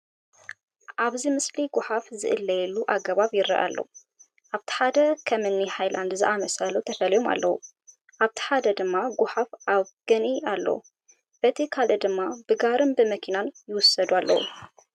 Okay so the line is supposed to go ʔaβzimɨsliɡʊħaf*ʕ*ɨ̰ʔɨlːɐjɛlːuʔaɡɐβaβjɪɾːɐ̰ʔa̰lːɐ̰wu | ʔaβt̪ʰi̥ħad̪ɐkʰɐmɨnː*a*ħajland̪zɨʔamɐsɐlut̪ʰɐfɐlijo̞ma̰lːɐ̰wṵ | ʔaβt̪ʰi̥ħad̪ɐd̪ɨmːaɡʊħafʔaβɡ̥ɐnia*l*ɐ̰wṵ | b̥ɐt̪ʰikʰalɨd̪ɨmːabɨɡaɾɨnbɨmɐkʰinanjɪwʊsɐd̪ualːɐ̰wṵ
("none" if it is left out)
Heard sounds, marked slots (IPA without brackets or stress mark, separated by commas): z, i, lː